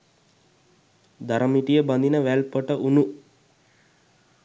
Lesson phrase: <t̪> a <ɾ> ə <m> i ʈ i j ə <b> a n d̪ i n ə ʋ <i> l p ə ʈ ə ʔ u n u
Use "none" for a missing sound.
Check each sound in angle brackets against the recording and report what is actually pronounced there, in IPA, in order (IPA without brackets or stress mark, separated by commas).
d̪, ɾ, m, b, æ